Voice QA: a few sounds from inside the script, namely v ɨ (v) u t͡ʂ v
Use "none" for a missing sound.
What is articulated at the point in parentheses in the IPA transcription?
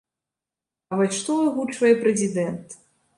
ɣ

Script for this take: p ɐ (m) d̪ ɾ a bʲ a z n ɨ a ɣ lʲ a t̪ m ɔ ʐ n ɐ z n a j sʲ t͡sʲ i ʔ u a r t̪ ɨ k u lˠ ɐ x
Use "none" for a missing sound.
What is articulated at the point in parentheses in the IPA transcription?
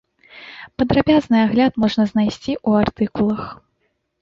none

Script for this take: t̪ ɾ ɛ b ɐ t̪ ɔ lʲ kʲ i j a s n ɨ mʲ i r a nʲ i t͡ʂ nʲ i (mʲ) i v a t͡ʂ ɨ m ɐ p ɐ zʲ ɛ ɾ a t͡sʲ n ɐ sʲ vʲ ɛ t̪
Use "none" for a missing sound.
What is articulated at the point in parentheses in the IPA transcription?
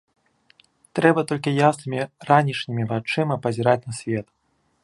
mʲ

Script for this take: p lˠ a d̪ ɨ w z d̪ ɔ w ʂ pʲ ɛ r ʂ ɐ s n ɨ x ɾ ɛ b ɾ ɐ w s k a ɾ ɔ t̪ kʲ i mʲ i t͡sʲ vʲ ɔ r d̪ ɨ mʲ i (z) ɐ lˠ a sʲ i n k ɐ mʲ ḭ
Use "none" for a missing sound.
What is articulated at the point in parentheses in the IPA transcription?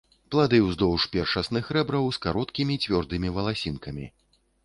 v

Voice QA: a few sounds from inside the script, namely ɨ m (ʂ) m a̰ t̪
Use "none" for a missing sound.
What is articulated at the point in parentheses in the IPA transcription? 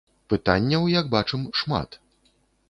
ʂ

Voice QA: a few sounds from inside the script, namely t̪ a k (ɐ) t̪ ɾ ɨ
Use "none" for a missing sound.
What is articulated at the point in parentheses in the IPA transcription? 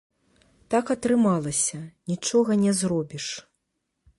ɐ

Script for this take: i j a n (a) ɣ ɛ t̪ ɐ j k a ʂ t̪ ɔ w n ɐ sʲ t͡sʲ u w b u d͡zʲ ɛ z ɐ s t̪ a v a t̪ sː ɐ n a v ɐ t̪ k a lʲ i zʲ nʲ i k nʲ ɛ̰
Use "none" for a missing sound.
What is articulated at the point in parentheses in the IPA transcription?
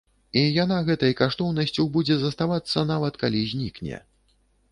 a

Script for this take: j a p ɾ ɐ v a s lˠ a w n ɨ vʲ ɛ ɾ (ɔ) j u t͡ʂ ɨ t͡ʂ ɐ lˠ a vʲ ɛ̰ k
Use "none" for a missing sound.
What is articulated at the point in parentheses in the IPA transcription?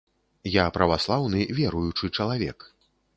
u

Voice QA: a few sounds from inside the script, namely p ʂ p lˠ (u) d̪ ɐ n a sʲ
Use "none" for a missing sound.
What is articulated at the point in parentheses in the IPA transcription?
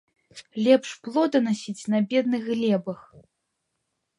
ɔ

